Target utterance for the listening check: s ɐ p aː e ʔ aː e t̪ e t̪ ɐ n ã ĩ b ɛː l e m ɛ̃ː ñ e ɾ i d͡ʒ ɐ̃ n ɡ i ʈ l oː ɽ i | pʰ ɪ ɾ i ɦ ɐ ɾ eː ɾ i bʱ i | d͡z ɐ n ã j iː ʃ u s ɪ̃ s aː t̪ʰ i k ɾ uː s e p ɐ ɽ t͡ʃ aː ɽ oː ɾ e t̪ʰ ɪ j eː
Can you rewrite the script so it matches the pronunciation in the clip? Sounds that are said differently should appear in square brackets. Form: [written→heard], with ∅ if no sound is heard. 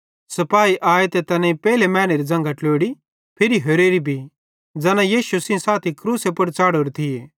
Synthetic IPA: s ɐ p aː [e→i] ʔ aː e t̪ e t̪ ɐ n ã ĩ [b→p] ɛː l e m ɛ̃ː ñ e ɾ i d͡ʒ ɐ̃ [n→ŋ] ɡ [i→a] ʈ l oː ɽ i | pʰ ɪ ɾ i ɦ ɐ ɾ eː ɾ i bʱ i | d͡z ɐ n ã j iː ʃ u s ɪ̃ s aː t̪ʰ i k ɾ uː s e p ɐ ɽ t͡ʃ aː ɽ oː ɾ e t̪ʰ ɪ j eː